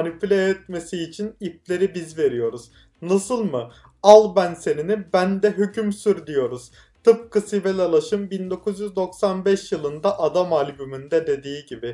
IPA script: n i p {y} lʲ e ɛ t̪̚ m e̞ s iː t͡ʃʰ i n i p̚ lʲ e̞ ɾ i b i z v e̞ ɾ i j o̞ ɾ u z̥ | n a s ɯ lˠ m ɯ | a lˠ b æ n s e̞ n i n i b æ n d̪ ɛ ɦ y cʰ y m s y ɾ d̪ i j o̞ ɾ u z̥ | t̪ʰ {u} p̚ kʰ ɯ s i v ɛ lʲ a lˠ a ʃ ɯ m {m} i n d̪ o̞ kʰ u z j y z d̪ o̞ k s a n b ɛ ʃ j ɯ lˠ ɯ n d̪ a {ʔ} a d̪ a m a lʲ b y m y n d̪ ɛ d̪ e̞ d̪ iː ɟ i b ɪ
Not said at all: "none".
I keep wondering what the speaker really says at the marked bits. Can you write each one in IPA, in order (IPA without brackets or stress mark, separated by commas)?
y, ɯ, b, ʔ